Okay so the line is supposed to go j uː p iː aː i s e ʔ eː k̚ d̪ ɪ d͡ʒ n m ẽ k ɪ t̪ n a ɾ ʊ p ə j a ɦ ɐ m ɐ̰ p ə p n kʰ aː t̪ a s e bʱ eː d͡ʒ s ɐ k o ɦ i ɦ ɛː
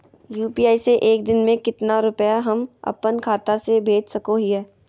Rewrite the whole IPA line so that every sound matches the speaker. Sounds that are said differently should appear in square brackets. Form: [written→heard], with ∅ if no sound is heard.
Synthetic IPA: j uː p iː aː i s e ʔ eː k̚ d̪ ɪ [d͡ʒ→∅] n m ẽ k ɪ t̪ n a ɾ ʊ p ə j a ɦ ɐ m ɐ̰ p ə [p→∅] n kʰ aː t̪ a s e bʱ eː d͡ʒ s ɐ k o ɦ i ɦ ɛː